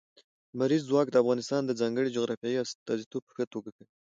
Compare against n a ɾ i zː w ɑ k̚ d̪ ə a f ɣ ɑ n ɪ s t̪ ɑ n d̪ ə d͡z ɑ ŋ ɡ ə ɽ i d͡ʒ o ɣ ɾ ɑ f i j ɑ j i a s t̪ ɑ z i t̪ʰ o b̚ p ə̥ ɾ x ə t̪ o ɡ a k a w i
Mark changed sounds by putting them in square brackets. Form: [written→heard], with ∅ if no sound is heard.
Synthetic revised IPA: [n→m] a ɾ i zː w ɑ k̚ d̪ ə a f ɣ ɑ n ɪ s t̪ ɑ n d̪ ə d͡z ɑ ŋ ɡ ə ɽ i d͡ʒ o ɣ ɾ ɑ f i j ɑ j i a s t̪ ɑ z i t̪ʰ o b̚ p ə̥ [ɾ→∅] x ə t̪ o ɡ a k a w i